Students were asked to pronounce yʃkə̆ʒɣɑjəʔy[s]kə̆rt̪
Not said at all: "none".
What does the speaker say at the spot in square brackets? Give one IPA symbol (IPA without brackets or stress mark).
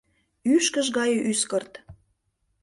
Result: s